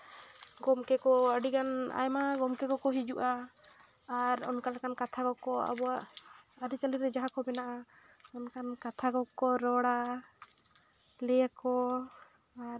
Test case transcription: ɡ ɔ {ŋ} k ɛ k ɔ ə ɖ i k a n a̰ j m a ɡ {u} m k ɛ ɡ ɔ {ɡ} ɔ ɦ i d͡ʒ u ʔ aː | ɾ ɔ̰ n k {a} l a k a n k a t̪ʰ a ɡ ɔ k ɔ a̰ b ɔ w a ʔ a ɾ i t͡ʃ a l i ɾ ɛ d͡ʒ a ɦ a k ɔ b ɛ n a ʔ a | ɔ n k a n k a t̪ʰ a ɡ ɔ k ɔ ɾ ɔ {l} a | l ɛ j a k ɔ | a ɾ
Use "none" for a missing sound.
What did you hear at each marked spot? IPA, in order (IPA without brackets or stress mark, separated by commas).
m, ɔ, k, a, ɽ